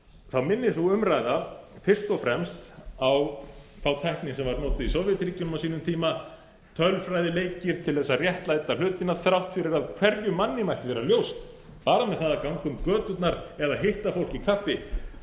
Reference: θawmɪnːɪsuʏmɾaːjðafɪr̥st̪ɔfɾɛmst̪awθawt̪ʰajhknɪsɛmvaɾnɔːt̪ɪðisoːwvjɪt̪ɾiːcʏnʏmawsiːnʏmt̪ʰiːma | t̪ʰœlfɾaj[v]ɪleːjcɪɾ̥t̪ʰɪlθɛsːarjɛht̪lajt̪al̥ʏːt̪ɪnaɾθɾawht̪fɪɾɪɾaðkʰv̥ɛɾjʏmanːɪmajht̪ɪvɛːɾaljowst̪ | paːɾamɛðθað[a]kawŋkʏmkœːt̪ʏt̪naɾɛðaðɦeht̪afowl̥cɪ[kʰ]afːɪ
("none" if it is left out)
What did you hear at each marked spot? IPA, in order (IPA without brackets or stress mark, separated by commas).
ð, a, kʰ